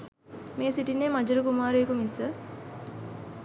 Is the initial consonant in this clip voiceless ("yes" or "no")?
no